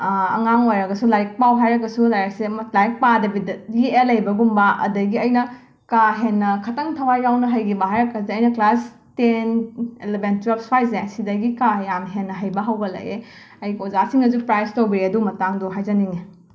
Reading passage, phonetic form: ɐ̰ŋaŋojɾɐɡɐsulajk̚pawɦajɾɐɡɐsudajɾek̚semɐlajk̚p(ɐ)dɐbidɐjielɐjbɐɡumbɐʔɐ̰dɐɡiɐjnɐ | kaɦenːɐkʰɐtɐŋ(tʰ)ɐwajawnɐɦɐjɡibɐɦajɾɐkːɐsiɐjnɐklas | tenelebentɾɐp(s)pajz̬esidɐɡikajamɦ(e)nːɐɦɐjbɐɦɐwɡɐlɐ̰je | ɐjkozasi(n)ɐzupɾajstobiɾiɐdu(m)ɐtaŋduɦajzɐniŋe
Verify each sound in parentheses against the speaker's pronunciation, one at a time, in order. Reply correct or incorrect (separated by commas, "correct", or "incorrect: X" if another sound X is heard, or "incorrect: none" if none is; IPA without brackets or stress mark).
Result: incorrect: a, correct, correct, correct, incorrect: ŋ, correct